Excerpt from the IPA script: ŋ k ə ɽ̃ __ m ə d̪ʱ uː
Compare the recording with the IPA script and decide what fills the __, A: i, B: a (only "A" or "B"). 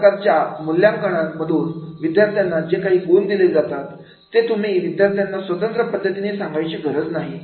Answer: B